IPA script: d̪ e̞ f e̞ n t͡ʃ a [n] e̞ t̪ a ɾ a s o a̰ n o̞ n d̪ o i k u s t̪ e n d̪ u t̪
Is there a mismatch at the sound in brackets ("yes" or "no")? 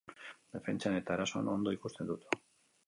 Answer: no